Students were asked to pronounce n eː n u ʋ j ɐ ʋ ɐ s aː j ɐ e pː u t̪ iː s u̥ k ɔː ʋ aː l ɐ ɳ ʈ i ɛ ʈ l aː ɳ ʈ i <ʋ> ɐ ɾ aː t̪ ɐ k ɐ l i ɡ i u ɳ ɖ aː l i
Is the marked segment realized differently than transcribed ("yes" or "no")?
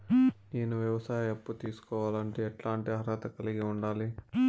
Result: yes